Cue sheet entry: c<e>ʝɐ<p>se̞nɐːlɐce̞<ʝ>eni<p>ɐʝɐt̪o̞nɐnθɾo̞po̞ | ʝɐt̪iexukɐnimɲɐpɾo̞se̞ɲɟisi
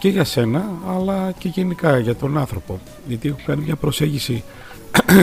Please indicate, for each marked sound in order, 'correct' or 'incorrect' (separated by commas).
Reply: correct, incorrect, correct, incorrect